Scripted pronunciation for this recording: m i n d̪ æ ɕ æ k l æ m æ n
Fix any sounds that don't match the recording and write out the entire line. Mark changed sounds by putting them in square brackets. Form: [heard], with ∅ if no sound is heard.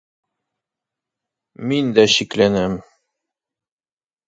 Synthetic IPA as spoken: m i n d̪ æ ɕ [i] k l æ [n] æ [m]